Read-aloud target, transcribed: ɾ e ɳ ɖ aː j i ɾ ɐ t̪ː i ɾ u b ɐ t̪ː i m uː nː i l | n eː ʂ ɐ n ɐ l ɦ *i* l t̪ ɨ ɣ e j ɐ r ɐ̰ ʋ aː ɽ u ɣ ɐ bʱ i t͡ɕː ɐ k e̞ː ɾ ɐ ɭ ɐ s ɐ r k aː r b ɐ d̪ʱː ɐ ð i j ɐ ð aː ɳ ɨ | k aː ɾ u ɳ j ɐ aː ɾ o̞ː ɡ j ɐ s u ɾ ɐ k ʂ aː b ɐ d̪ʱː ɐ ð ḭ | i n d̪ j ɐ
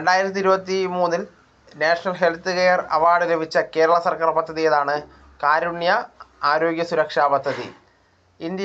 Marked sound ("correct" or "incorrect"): incorrect